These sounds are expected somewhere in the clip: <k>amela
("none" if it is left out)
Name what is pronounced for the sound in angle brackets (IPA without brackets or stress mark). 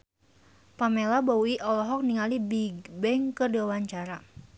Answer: p